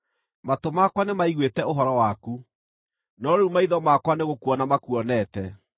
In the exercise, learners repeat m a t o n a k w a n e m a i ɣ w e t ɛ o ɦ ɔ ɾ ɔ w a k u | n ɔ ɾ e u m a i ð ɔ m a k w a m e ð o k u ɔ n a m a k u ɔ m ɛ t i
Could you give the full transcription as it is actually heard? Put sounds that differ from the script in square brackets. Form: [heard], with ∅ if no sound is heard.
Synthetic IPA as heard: m a t o [m] a k w a n e m a i ɣ w e t ɛ o ɦ ɔ ɾ ɔ w a k u | n ɔ ɾ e u m a i ð ɔ m a k w a [n] e [ɣ] o k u ɔ n a m a k u ɔ [n] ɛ t [ɛ]